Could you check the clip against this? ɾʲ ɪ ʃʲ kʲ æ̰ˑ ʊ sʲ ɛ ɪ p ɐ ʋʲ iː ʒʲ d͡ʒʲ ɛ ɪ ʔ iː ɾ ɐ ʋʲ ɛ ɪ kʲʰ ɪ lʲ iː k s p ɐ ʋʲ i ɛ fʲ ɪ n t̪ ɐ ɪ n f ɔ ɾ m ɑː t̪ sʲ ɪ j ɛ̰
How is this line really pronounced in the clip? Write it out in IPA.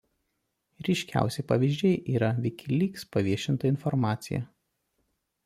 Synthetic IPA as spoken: ɾʲ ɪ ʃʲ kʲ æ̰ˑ ʊ sʲ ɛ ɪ p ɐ ʋʲ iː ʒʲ d͡ʒʲ ɛ ɪ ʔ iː ɾ ɐ ʋʲ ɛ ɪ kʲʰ ɪ lʲ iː k s p ɐ ʋʲ i ɛ ʃʲ ɪ n t̪ ɐ ɪ n f ɔ ɾ m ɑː t̪ sʲ ɪ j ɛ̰